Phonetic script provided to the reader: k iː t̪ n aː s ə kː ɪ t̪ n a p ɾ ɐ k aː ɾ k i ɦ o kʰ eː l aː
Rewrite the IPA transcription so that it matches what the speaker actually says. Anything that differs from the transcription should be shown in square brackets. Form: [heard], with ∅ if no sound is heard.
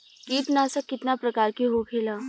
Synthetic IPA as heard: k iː t̪ n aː s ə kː ɪ t̪ n a p ɾ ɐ k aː ɾ k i ɦ o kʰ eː l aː